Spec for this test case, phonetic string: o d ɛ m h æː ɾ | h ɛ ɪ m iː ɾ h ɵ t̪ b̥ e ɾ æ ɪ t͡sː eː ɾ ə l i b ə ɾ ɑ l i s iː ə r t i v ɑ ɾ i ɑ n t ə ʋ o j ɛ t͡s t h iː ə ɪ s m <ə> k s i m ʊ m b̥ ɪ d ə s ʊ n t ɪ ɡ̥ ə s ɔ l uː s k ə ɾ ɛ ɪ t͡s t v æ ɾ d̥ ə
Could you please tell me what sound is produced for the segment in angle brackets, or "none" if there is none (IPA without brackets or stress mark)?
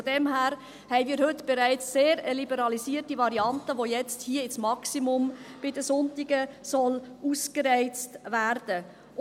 ɑ